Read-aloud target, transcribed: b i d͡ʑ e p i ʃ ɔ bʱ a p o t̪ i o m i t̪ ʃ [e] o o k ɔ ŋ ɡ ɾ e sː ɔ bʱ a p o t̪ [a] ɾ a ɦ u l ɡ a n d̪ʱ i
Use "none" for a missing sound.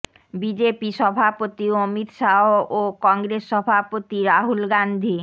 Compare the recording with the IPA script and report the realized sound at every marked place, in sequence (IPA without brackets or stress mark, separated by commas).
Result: a, i